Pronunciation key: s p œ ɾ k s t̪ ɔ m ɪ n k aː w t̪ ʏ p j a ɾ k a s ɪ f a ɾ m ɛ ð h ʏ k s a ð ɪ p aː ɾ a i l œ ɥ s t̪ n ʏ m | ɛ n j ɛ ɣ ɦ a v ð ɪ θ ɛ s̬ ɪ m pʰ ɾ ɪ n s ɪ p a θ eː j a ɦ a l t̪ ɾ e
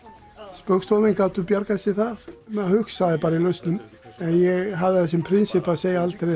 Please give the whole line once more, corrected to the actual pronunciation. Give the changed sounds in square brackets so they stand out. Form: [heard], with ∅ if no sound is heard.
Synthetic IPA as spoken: s p œ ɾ k s t̪ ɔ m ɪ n k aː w t̪ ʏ p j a ɾ k a s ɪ [θ] a ɾ m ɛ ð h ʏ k s a ð ɪ p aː ɾ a i l œ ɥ s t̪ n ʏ m | ɛ n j ɛ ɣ ɦ a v ð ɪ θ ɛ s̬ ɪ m pʰ ɾ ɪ n s ɪ p a [s] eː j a [∅] a l t̪ ɾ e